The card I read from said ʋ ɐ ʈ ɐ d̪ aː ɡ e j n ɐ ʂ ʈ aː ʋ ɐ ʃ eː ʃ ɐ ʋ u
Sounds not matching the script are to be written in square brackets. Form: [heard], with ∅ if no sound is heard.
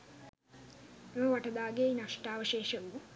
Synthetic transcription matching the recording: ʋ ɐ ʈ ɐ d̪ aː ɡ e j n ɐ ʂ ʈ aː ʋ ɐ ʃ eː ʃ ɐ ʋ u